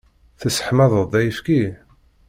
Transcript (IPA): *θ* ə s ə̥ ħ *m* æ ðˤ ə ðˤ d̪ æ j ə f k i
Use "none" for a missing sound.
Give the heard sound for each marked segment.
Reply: θ, m

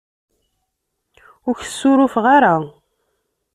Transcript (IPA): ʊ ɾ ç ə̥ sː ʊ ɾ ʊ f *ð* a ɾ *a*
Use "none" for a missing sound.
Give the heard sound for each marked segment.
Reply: ʁ, a

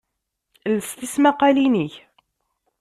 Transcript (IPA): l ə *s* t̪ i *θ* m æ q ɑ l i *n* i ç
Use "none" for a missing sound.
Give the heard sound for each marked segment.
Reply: s, s, n

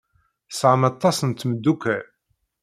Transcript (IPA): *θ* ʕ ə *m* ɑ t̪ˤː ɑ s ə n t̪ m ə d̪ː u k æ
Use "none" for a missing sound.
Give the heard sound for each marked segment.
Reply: s, m

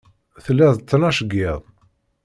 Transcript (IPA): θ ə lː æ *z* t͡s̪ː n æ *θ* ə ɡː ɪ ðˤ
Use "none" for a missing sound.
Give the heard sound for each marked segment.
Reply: ð, ʃ

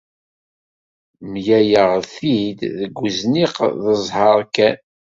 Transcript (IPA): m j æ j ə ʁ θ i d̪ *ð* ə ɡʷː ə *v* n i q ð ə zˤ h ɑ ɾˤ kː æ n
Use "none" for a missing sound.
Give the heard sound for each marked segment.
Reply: ð, z

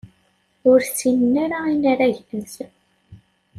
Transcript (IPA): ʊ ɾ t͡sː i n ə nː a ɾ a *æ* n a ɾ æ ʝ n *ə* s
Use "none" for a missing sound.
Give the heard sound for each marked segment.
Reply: i, ə

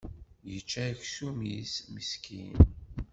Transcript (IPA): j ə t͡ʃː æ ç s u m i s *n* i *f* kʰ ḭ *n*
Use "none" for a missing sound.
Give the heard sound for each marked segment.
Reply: m, s, n

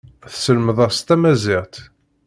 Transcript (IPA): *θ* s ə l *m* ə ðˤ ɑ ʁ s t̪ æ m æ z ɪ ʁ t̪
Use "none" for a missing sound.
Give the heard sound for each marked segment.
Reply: θ, m

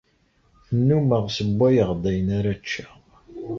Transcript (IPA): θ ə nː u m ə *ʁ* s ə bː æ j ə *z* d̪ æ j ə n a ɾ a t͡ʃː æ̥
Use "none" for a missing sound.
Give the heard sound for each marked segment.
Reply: ʁ, ʁ

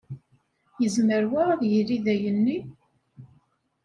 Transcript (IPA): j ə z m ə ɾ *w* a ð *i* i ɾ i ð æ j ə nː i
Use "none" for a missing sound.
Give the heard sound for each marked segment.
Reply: w, j

